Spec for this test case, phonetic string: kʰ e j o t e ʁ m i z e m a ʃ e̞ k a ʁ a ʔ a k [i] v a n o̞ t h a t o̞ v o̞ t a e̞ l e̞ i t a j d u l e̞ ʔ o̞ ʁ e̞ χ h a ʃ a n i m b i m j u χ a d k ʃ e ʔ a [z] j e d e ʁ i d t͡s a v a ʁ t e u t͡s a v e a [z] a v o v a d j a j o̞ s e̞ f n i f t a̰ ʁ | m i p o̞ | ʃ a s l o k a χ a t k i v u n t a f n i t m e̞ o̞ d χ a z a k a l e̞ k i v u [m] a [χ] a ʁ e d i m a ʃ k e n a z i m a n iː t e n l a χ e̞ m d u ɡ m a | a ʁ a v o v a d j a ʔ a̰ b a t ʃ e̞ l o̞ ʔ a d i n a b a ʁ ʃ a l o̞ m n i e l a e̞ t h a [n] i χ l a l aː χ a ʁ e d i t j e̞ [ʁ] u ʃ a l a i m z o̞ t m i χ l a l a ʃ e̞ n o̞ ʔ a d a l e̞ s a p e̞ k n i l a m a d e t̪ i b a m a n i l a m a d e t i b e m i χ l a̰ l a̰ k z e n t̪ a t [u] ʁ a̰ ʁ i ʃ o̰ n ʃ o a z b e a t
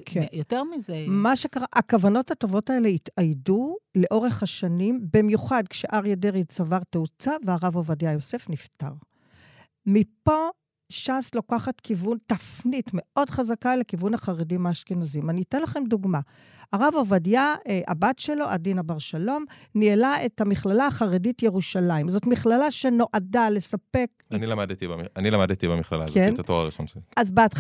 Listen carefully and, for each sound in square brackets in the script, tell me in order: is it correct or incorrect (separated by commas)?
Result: incorrect, incorrect, incorrect, incorrect, correct, incorrect, correct, incorrect